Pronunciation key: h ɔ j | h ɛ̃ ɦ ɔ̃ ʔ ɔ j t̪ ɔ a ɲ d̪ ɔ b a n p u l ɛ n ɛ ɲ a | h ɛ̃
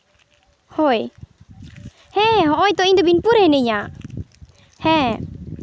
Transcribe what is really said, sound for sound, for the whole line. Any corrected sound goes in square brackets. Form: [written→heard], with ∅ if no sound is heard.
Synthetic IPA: h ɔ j | h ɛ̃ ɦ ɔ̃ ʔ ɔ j t̪ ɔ [a→i] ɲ d̪ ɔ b [a→i] n p u [l→ɾ] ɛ n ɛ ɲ a | h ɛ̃